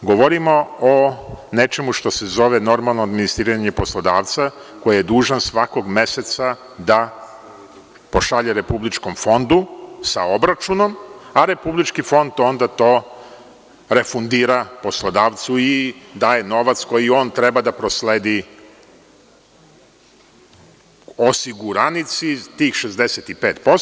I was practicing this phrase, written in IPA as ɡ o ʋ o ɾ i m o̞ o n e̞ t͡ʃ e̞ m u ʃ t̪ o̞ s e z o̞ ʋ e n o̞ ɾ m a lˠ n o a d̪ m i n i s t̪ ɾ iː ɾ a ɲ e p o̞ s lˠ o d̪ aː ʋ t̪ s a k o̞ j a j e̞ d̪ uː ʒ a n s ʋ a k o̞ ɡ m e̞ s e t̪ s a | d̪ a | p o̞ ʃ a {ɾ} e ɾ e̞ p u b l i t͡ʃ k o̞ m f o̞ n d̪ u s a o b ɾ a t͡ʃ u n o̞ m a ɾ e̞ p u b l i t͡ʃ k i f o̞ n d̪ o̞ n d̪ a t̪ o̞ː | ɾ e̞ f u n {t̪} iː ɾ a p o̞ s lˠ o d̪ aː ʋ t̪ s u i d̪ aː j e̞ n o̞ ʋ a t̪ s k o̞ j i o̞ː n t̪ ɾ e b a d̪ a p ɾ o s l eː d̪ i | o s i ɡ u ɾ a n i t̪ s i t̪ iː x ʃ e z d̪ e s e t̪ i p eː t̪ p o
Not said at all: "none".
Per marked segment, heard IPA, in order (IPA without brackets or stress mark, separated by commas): ʎ, d̪